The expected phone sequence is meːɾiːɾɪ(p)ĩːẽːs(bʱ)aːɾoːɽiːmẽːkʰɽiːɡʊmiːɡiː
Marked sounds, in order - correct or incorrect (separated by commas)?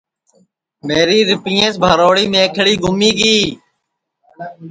correct, correct